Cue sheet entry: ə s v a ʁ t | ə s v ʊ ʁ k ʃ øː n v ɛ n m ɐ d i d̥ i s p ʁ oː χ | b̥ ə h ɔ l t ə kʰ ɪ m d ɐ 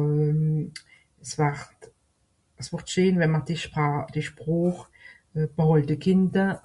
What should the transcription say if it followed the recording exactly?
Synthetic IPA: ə s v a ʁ t | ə s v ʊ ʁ t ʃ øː n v ɛ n m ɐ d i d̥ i ʃ p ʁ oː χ | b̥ ə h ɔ l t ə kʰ ɪ n d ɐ